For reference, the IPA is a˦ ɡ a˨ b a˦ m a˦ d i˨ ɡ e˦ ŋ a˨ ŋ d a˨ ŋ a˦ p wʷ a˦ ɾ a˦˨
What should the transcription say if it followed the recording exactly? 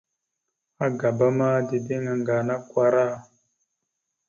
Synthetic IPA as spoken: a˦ ɡ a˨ b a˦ m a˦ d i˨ d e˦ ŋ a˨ ŋ ɡ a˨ n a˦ k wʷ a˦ ɾ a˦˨